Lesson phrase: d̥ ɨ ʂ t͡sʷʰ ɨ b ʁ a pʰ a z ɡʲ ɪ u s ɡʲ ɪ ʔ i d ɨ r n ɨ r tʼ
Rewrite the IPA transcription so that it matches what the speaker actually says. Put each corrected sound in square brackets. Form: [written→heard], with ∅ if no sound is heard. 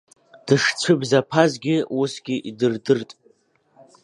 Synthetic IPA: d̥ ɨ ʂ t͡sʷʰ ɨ b [ʁ→z] a pʰ a z ɡʲ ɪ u s ɡʲ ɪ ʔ i d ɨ r [n→d] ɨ r tʼ